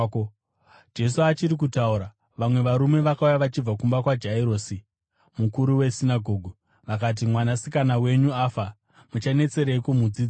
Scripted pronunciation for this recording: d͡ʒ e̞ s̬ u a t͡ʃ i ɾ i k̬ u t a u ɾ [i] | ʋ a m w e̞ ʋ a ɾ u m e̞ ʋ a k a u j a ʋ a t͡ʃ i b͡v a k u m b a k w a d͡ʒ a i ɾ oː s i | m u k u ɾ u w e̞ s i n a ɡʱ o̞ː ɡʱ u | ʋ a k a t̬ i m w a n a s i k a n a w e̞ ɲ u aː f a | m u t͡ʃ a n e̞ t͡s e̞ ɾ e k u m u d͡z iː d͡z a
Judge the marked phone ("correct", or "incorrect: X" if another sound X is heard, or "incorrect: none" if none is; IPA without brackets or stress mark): incorrect: a